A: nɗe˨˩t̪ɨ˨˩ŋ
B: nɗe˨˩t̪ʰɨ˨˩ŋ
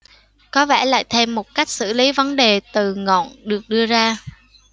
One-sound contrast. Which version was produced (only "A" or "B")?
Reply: A